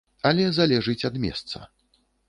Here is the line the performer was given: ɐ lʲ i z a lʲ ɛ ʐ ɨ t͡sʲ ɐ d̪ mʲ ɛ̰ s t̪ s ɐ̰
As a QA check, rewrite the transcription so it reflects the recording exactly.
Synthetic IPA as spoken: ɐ lʲ ɛ z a lʲ ɛ ʐ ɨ t͡sʲ ɐ d̪ mʲ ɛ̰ s t̪ s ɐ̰

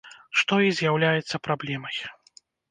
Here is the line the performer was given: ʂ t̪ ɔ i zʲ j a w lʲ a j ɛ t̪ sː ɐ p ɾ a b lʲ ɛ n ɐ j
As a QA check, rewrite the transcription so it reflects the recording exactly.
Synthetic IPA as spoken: ʂ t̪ ɔ i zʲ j a w lʲ a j ɛ t̪ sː ɐ p ɾ a b lʲ ɛ m ɐ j

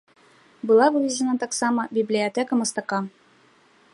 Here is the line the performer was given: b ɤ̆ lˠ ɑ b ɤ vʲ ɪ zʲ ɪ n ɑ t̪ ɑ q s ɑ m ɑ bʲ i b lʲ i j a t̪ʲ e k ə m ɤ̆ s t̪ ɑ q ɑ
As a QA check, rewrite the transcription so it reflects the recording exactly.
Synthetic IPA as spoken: b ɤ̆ lˠ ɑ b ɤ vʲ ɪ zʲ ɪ n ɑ t̪ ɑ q s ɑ m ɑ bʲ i b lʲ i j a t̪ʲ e k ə m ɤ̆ s t̪ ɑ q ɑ

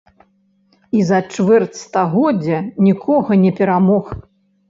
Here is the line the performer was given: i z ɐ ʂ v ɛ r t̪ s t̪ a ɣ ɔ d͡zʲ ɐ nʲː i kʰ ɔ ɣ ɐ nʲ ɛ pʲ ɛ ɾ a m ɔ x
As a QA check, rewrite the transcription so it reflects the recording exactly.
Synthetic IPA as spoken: i z ɐ t͡ʂ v ɛ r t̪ s t̪ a ɣ ɔ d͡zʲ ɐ nʲ i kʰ ɔ ɣ ɐ nʲ ɛ pʲ ɛ ɾ a m ɔ x

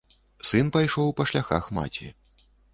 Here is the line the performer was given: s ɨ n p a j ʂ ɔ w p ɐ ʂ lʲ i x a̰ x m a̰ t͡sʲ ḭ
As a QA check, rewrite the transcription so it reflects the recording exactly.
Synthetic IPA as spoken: s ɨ n p a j ʂ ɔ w p ɐ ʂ lʲ a x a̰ x m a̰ t͡sʲ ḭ

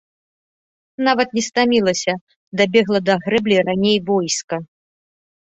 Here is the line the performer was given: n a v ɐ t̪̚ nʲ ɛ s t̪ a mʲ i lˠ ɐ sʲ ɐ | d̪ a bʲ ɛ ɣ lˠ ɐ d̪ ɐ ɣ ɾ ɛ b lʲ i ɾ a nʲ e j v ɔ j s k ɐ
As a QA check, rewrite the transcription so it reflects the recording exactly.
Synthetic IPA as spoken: n a v ɐ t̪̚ nʲ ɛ s t̪ a mʲ i lˠ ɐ sʲ ɐ | d̪ a bʲ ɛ ɣ lˠ ɐ d̪ ɐ ɣ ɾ ɛ b lʲ i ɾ a nʲ e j v ɔ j s k ɐ

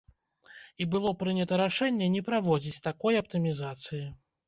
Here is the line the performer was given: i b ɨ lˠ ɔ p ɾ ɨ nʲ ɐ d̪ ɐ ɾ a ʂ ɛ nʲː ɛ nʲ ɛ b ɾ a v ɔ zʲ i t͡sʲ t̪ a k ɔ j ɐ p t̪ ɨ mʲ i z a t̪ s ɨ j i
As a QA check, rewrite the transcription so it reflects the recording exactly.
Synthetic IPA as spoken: i b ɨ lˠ ɔ p ɾ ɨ nʲ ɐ t̪ ɐ ɾ a ʂ ɛ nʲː ɛ nʲ ɛ p ɾ a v ɔ d͡zʲ i t͡sʲ t̪ a k ɔ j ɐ p t̪ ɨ mʲ i z a t̪ s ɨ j i

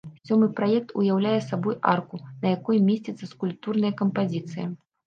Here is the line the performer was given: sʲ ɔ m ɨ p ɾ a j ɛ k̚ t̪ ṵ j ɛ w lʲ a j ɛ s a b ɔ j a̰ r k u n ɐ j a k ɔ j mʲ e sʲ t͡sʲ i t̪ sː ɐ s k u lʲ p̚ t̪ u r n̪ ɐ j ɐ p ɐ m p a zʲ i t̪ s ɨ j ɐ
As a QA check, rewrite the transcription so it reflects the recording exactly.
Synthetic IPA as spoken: sʲ ɔ m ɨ p ɾ a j ɛ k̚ t̪ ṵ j a w lʲ a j ɛ s a b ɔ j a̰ r k u n ɐ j a k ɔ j mʲ e sʲ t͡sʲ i t̪ sː ɐ s k u lʲ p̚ t̪ u r n̪ ɐ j ɐ k ɐ m p a zʲ i t̪ s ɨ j ɐ

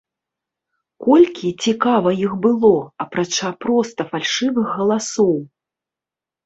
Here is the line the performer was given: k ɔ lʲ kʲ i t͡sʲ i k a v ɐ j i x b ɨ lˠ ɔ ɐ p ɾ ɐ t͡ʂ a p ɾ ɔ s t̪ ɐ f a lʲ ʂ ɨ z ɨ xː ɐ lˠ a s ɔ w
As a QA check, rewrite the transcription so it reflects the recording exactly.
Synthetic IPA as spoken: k ɔ lʲ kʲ i t͡sʲ i k a v ɐ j i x b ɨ lˠ ɔ ɐ p ɾ a t͡ʂ a p ɾ ɔ s t̪ ɐ f a lʲ ʂ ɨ v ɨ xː ɐ lˠ a s ɔ w

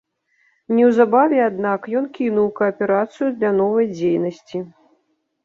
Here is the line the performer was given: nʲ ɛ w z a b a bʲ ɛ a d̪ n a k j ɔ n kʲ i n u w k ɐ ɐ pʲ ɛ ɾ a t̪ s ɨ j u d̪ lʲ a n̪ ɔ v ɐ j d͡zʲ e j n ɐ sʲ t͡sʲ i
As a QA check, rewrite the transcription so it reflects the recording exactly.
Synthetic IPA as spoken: nʲ ɛ w z a b a vʲ ɛ a d̪ n a k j ɔ n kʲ i n u w k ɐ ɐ pʲ ɛ ɾ a t̪ s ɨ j u d̪ lʲ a n̪ ɔ v ɐ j d͡zʲ e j n ɐ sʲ t͡sʲ i

